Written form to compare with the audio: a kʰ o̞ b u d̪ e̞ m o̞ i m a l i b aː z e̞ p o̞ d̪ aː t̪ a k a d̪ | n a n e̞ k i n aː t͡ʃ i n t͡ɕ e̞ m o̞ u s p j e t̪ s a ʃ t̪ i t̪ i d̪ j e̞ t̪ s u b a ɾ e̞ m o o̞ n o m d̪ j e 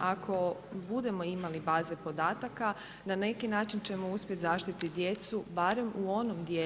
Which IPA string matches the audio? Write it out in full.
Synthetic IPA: a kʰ o̞ b u d̪ e̞ m o̞ i m a l i b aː z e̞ p o̞ d̪ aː t̪ a k a | n a n e̞ k i n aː t͡ʃ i n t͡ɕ e̞ m o̞ u s p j e t̪ z a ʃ t̪ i t̪ i d̪ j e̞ t̪ s u b a ɾ e̞ m u o̞ n o m d̪ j e